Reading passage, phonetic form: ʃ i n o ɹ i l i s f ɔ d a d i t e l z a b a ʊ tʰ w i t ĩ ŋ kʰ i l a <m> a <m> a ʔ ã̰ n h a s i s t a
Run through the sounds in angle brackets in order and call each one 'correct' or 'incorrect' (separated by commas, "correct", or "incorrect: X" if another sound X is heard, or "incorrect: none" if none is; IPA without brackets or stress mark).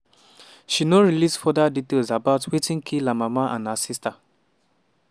correct, correct